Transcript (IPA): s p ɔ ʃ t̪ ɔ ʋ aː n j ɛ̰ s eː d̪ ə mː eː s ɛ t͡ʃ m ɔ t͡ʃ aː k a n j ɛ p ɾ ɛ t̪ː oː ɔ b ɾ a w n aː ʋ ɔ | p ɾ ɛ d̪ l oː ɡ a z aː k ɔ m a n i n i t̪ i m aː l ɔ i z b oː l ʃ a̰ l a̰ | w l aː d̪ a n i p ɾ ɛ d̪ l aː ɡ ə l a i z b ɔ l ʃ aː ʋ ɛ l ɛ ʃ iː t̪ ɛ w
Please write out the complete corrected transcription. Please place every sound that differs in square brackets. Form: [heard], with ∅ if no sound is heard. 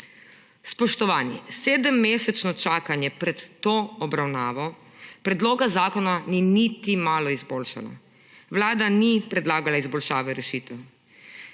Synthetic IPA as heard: s p ɔ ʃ t̪ ɔ ʋ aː n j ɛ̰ s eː d̪ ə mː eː s ɛ t͡ʃ [n] ɔ t͡ʃ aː k a n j ɛ p ɾ ɛ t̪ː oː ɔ b ɾ a w n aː ʋ ɔ | p ɾ ɛ d̪ l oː ɡ a z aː k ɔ [n] a n i n i t̪ i m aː l ɔ i z b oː l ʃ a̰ l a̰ | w l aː d̪ a n i p ɾ ɛ d̪ l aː ɡ [a] l a i z b ɔ l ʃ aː ʋ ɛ [ɾ] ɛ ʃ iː t̪ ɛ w